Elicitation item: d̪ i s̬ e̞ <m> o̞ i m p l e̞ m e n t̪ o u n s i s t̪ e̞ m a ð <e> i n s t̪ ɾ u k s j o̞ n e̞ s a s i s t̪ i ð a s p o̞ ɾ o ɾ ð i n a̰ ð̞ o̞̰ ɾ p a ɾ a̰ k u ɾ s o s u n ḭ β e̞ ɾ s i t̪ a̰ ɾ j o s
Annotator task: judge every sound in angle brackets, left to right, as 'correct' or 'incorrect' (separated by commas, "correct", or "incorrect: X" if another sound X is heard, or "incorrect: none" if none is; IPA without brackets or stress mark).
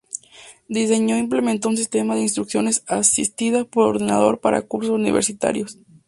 incorrect: ɲ, correct